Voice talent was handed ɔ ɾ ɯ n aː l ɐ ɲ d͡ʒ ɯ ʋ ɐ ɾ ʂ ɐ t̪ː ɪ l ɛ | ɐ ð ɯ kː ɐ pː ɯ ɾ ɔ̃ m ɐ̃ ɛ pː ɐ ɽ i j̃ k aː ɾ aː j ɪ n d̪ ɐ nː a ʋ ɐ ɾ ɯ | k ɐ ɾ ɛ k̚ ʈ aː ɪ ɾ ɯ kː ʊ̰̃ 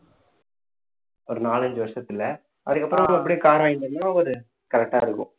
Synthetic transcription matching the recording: ɔ ɾ ɯ n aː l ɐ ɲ d͡ʒ ɯ ʋ ɐ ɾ ʂ ɐ t̪ː ɪ l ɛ | ɐ ð ɯ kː ɐ pː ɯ ɾ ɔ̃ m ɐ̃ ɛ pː ɐ ɽ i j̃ k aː ɾ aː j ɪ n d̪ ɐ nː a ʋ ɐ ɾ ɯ | k ɐ ɾ ɛ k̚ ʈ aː ɪ ɾ ɯ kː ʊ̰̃

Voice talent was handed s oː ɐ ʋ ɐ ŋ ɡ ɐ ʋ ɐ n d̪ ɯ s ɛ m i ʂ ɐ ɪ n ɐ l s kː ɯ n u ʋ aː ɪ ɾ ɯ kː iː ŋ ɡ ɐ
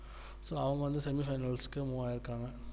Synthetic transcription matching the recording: s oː ɐ ʋ ɐ ŋ ɡ ɐ ʋ ɐ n d̪ ɯ s ɛ m i f ɐ ɪ n ɐ l s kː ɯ m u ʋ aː ɪ ɾ ɯ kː aː ŋ ɡ ɐ

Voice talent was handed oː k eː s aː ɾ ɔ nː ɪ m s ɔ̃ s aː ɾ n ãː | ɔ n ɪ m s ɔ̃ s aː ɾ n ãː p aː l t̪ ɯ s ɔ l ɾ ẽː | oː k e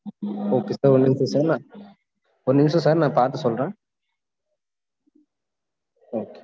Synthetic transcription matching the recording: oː k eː s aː ɾ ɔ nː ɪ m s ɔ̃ s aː ɾ n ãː | ɔ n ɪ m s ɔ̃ s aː ɾ n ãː p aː ɾ t̪ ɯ s ɔ l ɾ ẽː | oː k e

